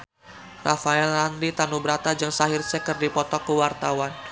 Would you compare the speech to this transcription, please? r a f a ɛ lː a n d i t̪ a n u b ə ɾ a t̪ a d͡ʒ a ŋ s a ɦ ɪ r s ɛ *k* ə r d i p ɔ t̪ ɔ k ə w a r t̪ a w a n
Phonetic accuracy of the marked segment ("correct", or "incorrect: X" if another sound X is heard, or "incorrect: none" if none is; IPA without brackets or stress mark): correct